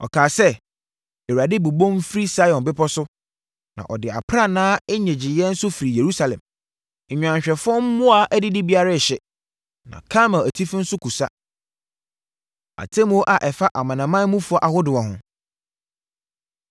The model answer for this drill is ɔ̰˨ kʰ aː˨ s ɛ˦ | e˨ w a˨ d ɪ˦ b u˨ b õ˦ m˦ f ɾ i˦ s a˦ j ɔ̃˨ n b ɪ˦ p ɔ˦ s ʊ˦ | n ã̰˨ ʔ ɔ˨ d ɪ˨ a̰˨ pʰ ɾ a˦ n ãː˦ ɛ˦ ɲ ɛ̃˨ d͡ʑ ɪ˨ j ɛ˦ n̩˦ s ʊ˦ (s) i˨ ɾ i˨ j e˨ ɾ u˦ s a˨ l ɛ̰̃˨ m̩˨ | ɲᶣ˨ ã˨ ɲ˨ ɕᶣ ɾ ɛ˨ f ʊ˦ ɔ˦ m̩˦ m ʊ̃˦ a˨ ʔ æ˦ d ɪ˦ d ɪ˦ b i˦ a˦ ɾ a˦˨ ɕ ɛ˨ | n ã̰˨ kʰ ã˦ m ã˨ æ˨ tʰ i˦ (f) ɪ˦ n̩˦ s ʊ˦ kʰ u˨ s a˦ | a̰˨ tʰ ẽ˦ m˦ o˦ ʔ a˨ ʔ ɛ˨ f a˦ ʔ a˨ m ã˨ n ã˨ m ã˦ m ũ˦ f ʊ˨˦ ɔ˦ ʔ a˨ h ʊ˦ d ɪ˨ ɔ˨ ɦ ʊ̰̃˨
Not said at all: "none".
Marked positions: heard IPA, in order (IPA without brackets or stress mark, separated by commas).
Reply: f, f